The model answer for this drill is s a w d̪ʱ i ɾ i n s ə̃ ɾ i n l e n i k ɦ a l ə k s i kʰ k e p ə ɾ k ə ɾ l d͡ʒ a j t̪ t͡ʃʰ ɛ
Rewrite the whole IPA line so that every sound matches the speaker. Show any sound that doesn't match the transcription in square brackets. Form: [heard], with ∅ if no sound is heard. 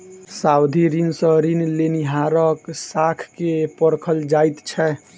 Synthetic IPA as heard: s a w d̪ʱ i ɾ i n s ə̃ ɾ i n l e n i [∅] ɦ a [ɾ] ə k s [a] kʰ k e p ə ɾ [kʰ] ə [∅] l d͡ʒ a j t̪ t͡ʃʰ ɛ